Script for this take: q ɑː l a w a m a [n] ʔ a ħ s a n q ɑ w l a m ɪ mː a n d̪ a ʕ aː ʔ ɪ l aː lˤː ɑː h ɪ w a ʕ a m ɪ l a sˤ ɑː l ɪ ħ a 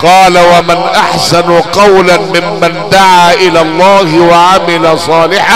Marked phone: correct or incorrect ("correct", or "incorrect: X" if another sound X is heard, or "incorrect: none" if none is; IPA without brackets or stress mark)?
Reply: correct